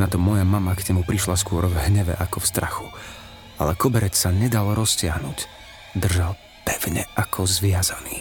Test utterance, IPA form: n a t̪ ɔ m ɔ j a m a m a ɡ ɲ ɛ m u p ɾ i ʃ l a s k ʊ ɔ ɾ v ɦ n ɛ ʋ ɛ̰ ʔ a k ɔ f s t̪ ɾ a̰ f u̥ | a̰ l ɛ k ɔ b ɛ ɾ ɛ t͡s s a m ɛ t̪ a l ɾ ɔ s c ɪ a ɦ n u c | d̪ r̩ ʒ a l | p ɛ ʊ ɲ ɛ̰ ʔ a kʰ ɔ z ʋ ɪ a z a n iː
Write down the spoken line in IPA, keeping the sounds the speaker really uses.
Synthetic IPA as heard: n a t̪ ɔ m ɔ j a m a m a ɡ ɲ ɛ m u p ɾ i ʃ l a s k ʊ ɔ ɾ v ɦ ɲ ɛ ʋ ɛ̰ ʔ a k ɔ f s t̪ ɾ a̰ x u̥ | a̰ l ɛ k ɔ b ɛ ɾ ɛ t͡s s a ɲ ɛ d̪ a l ɾ ɔ s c ɪ a ɦ n u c | d̪ r̩ ʒ a l | p ɛ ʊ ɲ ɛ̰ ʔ a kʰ ɔ z ʋ ɪ a z a n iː